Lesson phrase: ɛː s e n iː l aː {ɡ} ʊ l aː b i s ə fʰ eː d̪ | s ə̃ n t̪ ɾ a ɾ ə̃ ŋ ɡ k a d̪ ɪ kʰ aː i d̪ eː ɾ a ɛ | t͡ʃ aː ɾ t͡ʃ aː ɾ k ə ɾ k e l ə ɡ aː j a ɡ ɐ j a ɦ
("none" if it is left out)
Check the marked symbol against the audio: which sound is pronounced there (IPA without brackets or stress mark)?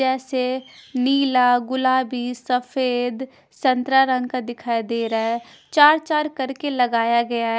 ɡ